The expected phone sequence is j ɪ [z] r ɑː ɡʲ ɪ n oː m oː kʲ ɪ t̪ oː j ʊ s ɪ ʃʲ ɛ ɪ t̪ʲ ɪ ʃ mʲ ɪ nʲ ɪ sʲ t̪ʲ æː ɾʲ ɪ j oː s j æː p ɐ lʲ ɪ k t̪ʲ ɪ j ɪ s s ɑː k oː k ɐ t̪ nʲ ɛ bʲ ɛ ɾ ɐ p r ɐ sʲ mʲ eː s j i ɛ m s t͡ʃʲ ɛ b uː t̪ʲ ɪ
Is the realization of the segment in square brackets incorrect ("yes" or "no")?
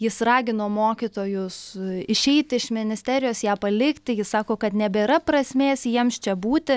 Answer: yes